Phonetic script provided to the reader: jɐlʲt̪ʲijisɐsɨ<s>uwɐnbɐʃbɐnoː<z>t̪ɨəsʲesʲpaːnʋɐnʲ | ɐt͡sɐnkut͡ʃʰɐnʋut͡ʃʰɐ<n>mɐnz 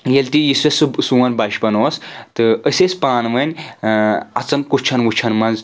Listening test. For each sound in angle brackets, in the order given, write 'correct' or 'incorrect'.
correct, incorrect, correct

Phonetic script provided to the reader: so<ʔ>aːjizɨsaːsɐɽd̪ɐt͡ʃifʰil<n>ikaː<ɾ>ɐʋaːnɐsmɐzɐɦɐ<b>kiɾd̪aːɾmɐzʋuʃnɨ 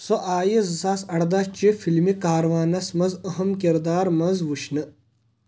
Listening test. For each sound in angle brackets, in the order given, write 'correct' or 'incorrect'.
correct, incorrect, correct, incorrect

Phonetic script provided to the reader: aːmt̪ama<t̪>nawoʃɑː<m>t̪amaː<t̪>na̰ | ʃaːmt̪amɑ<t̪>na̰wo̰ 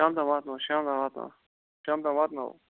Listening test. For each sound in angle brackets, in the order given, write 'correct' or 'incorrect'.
correct, correct, correct, correct

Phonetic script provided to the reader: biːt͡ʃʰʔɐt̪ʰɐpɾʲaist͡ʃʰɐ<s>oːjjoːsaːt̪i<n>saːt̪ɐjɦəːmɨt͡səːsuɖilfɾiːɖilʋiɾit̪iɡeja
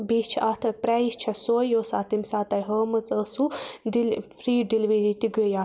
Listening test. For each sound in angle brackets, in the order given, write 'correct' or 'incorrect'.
correct, incorrect

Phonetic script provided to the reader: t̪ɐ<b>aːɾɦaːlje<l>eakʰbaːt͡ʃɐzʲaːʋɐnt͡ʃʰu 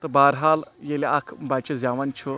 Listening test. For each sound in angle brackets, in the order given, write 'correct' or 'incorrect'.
correct, correct

